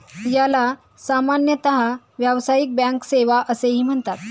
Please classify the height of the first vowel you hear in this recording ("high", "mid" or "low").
low